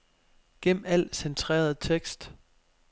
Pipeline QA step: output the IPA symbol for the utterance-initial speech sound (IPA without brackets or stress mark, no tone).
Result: ɡ̥